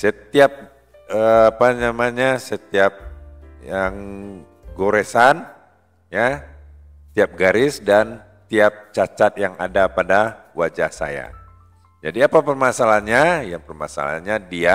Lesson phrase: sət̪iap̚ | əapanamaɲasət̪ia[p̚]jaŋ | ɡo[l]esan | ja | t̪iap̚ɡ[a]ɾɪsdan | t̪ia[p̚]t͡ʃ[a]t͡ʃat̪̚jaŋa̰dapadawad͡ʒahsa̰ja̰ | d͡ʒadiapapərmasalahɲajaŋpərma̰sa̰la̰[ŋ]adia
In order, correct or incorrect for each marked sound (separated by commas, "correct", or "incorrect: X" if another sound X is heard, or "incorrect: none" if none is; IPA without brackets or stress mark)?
correct, incorrect: ɾ, correct, correct, correct, incorrect: ɲ